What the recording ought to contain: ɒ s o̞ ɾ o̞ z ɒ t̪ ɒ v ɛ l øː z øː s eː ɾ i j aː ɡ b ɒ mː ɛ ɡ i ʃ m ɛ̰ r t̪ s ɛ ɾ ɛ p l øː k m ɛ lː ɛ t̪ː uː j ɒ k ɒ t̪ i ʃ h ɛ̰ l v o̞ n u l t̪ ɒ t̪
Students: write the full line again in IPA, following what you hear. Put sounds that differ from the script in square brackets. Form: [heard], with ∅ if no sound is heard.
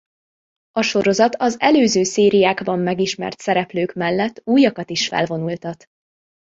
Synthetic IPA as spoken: ɒ [ʃ] o̞ ɾ o̞ z ɒ t̪ ɒ [z] ɛ l øː z øː s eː ɾ i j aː ɡ b ɒ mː ɛ ɡ i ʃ m ɛ̰ r t̪ s ɛ ɾ ɛ p l øː k m ɛ lː ɛ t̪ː uː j ɒ k ɒ t̪ i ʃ [f] ɛ̰ l v o̞ n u l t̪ ɒ t̪